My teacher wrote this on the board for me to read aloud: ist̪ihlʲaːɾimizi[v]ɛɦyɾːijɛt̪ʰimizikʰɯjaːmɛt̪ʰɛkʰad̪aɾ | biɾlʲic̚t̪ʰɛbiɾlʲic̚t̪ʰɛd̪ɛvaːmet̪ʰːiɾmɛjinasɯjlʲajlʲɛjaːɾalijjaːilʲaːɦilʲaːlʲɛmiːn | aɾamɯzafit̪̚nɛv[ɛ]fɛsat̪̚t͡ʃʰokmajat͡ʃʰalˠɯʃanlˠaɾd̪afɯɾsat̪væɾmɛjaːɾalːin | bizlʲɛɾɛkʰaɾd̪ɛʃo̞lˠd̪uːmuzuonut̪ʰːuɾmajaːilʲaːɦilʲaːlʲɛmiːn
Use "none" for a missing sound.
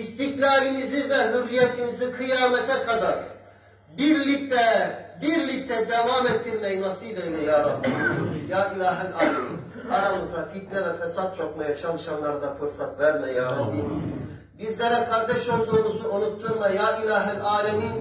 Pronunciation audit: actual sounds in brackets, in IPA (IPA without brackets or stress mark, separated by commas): v, ɛ